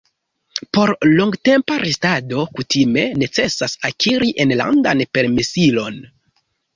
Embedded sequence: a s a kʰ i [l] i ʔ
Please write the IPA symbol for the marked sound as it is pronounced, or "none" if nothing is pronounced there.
ɾ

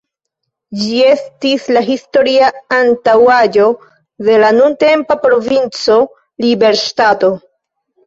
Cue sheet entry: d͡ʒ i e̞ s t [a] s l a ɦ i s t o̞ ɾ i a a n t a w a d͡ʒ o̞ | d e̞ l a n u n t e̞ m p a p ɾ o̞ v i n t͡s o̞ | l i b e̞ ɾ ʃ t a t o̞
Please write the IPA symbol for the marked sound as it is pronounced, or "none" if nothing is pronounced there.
i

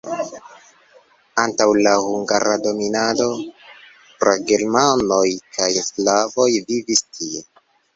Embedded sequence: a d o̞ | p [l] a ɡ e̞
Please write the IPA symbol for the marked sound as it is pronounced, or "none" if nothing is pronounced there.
ɾ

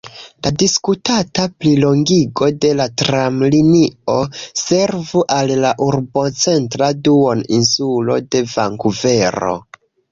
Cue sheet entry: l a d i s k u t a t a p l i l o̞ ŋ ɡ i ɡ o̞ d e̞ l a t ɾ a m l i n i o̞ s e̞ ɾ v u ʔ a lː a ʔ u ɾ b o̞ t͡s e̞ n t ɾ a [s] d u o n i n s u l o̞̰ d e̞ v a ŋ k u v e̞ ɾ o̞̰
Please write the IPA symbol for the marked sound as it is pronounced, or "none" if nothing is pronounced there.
none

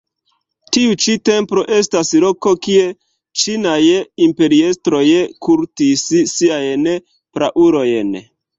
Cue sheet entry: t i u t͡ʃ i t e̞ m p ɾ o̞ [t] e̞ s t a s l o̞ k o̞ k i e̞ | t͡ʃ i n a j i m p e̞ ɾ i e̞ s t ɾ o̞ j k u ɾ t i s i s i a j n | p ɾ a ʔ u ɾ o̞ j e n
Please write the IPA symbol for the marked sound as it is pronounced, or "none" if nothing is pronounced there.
ʔ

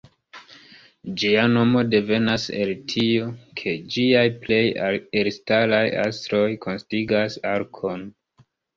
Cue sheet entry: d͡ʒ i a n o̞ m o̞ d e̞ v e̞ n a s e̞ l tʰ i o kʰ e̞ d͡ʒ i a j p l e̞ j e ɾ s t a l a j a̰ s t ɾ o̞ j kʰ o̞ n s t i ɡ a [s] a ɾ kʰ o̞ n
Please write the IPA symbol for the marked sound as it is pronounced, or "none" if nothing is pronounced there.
s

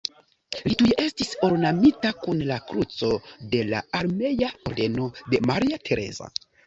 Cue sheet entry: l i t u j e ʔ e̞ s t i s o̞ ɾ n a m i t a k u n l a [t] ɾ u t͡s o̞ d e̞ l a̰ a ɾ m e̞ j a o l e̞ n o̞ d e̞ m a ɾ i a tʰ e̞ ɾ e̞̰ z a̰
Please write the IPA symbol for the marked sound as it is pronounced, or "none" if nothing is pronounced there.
k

